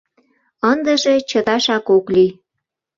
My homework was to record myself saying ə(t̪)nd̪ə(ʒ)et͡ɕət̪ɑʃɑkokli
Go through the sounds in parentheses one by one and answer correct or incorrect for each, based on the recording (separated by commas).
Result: incorrect, correct